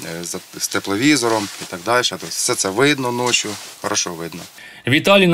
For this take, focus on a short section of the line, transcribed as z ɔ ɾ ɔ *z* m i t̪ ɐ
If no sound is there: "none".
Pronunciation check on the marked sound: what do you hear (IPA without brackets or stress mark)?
none